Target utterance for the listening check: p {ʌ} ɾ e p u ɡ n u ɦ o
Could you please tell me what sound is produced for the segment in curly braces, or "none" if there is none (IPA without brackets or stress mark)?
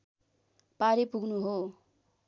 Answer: a